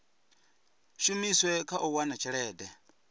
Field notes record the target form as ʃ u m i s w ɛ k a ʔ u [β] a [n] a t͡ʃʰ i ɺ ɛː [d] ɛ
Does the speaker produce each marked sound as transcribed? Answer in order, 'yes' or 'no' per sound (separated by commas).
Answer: no, yes, yes